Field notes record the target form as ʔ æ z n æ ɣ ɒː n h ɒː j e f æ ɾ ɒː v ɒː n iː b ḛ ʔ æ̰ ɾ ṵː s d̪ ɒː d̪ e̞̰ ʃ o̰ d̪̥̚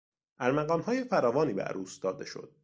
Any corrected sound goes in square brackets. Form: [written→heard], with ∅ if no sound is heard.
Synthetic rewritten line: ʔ æ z [n→m] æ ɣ ɒː [n→m] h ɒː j e f æ ɾ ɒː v ɒː n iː b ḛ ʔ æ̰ ɾ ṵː s d̪ ɒː d̪ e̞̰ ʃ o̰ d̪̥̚